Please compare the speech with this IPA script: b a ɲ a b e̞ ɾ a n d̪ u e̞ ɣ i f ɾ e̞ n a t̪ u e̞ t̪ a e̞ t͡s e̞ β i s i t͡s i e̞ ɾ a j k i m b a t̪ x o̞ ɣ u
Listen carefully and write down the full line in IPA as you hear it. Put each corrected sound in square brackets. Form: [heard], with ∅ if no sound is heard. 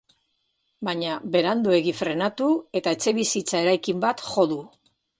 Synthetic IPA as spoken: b a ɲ a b e̞ ɾ a n d̪ u e̞ ɣ i f ɾ e̞ n a t̪ u e̞ t̪ a e̞ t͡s e̞ β i s i t͡s [a] e̞ ɾ a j k i m b a t̪ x o̞ [ð] u